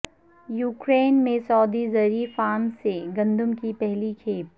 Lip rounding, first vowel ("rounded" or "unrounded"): rounded